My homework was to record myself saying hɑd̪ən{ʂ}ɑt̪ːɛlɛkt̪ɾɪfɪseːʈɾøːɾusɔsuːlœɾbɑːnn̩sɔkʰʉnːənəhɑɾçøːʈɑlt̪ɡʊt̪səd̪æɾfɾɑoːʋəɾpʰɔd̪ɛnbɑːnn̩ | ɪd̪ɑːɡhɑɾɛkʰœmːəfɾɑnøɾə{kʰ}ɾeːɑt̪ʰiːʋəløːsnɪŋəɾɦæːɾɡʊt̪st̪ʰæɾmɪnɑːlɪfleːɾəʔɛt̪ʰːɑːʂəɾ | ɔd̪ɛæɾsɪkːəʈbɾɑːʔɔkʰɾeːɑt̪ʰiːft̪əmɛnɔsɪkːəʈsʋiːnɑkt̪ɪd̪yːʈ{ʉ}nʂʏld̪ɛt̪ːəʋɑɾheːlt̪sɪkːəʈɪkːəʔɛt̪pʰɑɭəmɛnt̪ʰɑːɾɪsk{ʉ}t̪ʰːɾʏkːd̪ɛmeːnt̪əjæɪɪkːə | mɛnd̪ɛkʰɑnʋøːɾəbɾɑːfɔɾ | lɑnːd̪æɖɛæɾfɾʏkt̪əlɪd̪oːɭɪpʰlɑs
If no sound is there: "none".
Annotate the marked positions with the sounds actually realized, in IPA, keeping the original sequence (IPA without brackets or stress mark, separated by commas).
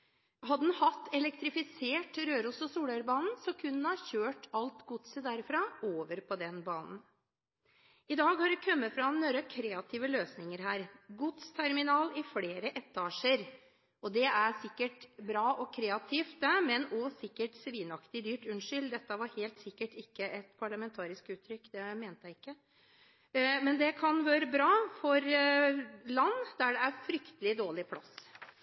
h, kʰ, ʉ, ʉː